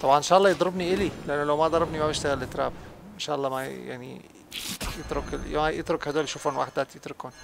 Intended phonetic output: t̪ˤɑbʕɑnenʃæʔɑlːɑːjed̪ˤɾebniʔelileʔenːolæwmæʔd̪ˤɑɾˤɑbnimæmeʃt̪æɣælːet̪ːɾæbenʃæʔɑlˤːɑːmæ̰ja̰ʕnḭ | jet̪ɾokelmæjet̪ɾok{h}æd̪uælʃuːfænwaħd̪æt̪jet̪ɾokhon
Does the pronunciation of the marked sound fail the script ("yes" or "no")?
no